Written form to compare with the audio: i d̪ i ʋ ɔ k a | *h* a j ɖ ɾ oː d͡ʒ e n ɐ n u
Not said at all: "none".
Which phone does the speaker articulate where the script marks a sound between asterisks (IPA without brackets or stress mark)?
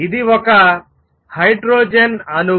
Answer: h